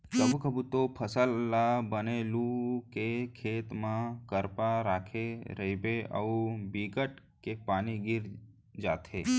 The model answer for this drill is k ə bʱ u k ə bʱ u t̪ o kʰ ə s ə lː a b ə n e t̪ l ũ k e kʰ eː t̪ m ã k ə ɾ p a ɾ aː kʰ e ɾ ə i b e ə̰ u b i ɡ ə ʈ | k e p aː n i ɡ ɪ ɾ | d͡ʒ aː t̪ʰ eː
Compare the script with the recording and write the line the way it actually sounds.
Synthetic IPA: k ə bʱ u k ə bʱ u t̪ o pʰ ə s ə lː a b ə n e l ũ k e kʰ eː t̪ m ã k ə ɾ p a ɾ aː kʰ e ɾ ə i b e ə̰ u b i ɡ ə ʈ | k e p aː n i ɡ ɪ ɾ | d͡ʒ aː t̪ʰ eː

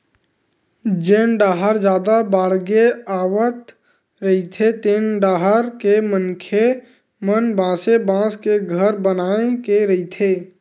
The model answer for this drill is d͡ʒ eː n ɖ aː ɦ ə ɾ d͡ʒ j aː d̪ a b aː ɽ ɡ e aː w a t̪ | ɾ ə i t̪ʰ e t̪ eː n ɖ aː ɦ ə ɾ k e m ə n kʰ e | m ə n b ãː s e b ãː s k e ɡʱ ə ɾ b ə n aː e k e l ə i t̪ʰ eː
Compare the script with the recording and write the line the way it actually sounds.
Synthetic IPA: d͡ʒ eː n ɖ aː ɦ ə ɾ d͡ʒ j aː d̪ a b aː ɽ ɡ e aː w ə t̪ | ɾ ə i t̪ʰ e t̪ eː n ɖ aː ɦ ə ɾ k e m ə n kʰ e | m ə n b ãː s e b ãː s k e ɡʱ ə ɾ b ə n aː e k e ɾ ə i t̪ʰ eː

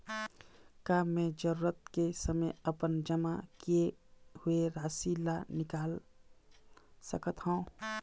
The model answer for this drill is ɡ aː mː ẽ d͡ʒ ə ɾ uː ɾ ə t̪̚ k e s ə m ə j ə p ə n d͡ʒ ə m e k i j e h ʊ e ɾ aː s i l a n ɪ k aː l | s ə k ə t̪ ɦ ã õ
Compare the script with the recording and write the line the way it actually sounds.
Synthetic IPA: k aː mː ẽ d͡ʒ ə ɾ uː ɾ ə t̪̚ k e s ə m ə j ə p ə n d͡ʒ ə m a k i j e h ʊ e ɾ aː s i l a n ɪ k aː l | s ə k ə t̪ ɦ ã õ

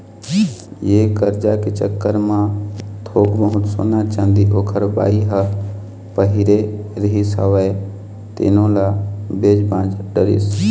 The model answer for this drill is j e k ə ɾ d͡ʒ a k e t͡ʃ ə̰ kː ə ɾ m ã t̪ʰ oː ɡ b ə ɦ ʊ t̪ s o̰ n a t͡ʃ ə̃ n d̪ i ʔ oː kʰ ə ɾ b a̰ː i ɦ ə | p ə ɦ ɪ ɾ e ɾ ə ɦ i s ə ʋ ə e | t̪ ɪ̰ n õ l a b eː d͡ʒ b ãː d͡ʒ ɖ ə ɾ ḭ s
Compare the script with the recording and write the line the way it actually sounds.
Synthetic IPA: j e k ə ɾ d͡ʒ a k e t͡ʃ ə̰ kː ə ɾ m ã t̪ʰ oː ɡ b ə ɦ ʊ t̪ s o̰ n a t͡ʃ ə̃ n d̪ i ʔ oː kʰ ə ɾ b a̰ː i ɦ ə | p ə ɦ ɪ ɾ e ɾ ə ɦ i s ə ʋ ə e | t̪ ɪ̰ n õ l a b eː d͡ʒ b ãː d͡ʒ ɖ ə ɾ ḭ s

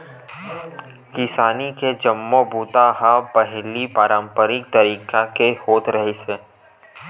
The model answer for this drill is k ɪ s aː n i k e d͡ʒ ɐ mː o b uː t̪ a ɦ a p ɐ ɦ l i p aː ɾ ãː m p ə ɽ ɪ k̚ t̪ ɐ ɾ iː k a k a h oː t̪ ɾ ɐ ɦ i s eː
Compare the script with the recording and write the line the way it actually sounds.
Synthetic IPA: k ɪ s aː n i k e d͡ʒ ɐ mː o b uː t̪ a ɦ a p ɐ ɦ l i p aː ɾ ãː m p ə ɾ ɪ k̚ t̪ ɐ ɾ iː k a k e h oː t̪ ɾ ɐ ɦ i s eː

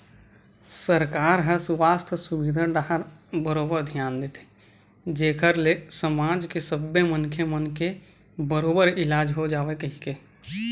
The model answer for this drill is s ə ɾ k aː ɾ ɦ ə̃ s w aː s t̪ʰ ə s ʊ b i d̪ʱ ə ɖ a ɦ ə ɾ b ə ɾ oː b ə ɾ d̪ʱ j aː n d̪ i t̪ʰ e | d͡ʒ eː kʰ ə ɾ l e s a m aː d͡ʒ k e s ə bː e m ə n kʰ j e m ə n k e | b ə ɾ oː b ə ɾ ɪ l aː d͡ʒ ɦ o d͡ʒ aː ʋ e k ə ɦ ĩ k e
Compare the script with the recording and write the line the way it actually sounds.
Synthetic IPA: s ə ɾ k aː ɾ ɦ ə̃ s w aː s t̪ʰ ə s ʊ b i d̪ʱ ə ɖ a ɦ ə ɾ b ə ɾ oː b ə ɾ d̪ʱ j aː n d̪ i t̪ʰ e | d͡ʒ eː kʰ ə ɾ l e s ə m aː d͡ʒ k e s ə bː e m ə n kʰ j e m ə n k e | b ə ɾ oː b ə ɾ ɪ l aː d͡ʒ ɦ o d͡ʒ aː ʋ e k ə ɦ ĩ k e

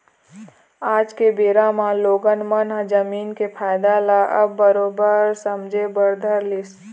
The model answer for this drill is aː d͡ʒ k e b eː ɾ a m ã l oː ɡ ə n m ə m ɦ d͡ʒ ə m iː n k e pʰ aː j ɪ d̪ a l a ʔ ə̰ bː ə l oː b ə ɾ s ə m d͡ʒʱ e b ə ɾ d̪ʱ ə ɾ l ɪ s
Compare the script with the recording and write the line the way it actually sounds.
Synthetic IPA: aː d͡ʒ k e b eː ɾ a m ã l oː ɡ ə n m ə n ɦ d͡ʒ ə m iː n k e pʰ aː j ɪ d̪ a l a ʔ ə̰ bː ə ɾ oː b ə ɾ s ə m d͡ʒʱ e b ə ɾ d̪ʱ ə ɾ l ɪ s

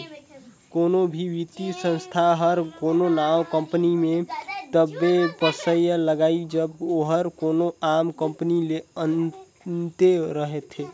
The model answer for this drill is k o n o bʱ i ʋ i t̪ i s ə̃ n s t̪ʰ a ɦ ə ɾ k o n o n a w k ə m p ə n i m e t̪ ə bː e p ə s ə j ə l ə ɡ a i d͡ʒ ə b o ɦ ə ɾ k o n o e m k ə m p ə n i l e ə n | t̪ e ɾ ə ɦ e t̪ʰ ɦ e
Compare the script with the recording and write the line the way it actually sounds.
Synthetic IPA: k o n o bʱ i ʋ i t̪ i s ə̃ n s t̪ʰ a ɦ ə ɾ k o n o n a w k ə m p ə n i m e t̪ ə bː e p ə s ə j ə l ə ɡ a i d͡ʒ ə b o ɦ ə ɾ k o n o a m k ə m p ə n i l e ə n | t̪ e ɾ ə ɦ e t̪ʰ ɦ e

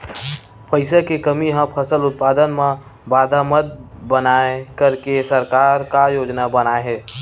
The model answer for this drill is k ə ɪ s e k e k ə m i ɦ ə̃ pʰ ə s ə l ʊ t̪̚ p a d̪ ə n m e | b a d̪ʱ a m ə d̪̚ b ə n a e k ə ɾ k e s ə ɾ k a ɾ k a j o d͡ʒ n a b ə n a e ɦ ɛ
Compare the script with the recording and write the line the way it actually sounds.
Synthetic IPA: p ə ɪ s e k e k ə m i ɦ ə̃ pʰ ə s ə l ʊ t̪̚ p a d̪ ə n m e | b a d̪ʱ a m ə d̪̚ b ə n a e k ə ɾ k e s ə ɾ k a ɾ k a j o d͡ʒ n a b ə n a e ɦ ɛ

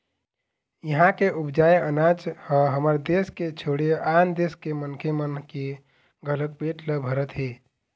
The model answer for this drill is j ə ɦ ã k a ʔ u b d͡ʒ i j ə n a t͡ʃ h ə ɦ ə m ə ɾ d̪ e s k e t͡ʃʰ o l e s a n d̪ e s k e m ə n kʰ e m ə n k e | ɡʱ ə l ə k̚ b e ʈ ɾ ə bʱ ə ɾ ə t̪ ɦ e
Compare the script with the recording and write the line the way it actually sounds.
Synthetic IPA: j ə ɦ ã k e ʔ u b d͡ʒ a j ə n a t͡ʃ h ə ɦ ə m ə ɾ d̪ e s k e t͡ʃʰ o ɽ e a n d̪ e s k e m ə n kʰ e m ə n k e | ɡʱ ə l ə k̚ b e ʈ l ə bʱ ə ɾ ə t̪ ɦ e

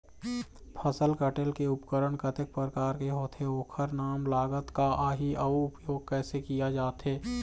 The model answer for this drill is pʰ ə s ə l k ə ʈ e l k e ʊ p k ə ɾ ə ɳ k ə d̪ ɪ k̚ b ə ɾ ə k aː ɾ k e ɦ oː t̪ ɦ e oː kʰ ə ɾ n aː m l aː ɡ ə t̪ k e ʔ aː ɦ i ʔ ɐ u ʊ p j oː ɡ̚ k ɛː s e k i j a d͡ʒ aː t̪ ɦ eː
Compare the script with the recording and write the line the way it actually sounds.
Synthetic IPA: pʰ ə s ə l k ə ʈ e l k e ʊ p k ə ɾ ə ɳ k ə t̪ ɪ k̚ p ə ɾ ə k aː ɾ k e ɦ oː t̪ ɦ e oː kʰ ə ɾ n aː m l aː ɡ ə t̪ k a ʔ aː ɦ i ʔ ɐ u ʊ p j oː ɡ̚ k ɛː s e k i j a d͡ʒ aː t̪ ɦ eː

